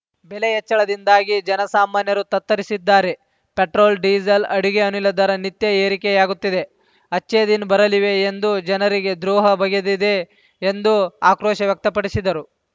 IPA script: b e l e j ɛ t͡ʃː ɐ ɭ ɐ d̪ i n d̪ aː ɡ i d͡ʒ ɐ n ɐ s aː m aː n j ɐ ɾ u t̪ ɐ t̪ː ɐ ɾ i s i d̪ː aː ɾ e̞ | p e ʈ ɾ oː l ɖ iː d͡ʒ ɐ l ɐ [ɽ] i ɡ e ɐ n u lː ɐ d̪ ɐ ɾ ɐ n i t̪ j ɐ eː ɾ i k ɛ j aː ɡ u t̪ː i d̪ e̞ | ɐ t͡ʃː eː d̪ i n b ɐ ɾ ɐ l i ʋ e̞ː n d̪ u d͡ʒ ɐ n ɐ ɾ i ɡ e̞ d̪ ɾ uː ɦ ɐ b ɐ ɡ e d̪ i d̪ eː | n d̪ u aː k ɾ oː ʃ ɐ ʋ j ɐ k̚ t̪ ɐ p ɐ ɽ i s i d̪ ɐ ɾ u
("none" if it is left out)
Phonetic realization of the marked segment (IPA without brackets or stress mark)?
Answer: ɽ